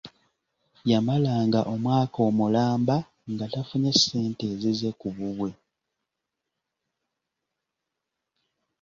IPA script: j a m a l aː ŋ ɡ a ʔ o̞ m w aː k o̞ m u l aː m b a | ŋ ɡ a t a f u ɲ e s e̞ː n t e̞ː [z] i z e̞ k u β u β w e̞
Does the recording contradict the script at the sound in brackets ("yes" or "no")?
no